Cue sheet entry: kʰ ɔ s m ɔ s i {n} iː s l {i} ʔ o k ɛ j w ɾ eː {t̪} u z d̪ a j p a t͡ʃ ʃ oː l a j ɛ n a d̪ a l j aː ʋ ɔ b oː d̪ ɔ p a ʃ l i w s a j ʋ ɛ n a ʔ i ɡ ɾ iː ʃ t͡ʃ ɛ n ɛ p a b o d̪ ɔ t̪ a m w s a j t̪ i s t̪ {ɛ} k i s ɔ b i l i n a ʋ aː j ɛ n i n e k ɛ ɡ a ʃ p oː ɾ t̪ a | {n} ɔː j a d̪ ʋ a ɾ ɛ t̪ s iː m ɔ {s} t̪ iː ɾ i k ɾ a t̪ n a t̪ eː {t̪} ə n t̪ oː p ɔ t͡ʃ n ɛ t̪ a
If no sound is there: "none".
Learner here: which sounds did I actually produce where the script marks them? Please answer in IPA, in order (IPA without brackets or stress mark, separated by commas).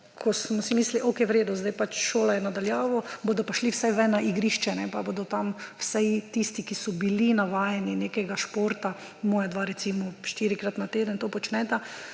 m, i, d̪, i, m, ʃ, d̪